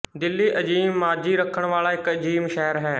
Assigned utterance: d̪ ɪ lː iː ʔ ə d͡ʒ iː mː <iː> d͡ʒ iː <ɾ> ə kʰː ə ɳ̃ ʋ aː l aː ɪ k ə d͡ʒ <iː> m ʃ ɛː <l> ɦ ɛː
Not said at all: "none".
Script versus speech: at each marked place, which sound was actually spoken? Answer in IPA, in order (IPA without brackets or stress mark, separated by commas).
aː, ɾ, iː, ɾ